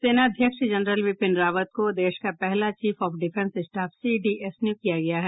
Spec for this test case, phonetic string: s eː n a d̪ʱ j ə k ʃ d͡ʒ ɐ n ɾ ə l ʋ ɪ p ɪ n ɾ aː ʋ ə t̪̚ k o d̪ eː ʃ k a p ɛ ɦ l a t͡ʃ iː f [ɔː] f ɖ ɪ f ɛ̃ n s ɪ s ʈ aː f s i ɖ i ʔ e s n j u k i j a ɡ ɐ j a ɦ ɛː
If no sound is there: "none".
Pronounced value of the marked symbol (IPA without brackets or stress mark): ɔː